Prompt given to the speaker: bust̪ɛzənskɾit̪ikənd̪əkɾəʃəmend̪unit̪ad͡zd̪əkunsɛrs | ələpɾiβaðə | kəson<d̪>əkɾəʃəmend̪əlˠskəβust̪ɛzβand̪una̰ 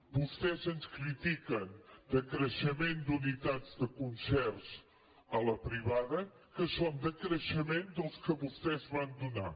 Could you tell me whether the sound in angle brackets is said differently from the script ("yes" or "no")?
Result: no